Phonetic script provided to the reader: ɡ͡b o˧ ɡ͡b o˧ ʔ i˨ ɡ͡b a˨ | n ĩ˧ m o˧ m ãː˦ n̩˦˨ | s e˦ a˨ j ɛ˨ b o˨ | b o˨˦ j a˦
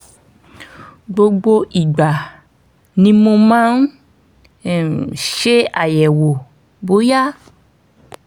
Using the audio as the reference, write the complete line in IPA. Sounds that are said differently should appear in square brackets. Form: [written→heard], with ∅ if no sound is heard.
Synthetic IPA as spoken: ɡ͡b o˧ ɡ͡b o˧ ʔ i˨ ɡ͡b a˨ | n ĩ˧ m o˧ m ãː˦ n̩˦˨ | [s→ʃ] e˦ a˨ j ɛ˨ [b→w] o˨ | b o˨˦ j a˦